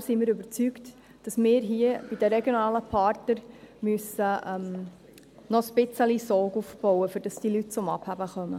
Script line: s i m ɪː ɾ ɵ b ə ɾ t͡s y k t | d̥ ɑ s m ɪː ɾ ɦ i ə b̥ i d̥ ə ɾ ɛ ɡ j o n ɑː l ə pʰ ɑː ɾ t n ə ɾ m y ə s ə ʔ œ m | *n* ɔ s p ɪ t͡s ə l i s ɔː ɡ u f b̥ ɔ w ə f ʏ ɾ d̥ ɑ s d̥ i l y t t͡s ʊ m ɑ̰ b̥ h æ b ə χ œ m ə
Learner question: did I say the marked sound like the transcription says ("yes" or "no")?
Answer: yes